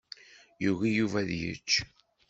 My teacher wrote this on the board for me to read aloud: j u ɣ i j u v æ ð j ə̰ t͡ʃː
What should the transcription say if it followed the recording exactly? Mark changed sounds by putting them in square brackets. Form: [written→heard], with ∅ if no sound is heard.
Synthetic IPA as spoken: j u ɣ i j u v æ ð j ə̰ t͡ʃː

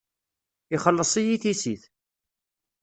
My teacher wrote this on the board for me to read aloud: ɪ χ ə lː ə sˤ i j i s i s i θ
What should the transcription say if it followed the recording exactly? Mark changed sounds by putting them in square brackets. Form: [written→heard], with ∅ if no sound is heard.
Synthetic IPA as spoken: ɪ χ ə lː ə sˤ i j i [s→θ] i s i θ

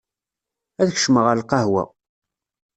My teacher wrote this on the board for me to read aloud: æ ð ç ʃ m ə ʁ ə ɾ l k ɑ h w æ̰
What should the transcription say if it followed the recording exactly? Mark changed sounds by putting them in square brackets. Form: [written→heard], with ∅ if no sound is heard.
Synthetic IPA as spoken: æ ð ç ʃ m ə ʁ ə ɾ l [k→q] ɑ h w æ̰

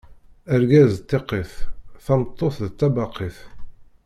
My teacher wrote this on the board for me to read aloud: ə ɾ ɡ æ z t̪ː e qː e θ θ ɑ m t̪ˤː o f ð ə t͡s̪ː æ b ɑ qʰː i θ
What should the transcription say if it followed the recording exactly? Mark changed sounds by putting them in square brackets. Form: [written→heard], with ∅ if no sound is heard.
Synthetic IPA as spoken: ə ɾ ɡ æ z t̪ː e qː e θ θ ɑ m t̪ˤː o [f→θ] ð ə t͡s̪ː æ b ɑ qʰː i θ

